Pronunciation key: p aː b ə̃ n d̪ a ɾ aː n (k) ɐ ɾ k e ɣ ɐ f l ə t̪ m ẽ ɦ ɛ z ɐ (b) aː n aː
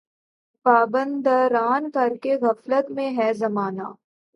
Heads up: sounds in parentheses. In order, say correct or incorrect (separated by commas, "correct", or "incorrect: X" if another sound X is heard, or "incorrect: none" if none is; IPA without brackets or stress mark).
correct, incorrect: m